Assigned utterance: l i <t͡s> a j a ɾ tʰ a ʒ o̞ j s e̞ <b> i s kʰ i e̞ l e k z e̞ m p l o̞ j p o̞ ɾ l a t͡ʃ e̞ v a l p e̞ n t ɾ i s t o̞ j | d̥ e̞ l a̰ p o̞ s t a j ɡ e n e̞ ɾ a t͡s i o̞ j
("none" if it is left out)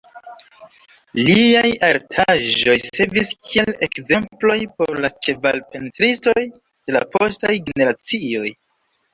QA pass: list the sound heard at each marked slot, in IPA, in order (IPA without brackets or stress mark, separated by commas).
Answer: none, v